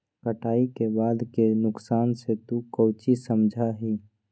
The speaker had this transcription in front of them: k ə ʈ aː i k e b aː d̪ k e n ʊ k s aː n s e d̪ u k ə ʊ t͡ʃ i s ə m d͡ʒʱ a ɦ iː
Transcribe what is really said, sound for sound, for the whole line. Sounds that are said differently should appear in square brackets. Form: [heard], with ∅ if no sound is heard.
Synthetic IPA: k ə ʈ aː i k e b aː d̪ k e n ʊ k s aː n s e [t̪] u k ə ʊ t͡ʃ i s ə m d͡ʒʱ a ɦ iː